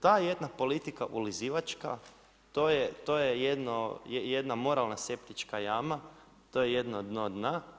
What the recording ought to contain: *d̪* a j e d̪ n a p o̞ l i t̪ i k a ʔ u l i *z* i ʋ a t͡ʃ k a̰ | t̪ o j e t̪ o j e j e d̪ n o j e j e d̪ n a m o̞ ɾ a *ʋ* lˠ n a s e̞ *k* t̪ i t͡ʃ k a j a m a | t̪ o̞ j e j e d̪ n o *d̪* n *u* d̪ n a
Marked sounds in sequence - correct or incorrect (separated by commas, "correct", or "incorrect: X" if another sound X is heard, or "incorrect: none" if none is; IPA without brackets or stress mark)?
incorrect: t̪, correct, incorrect: none, incorrect: p, correct, incorrect: o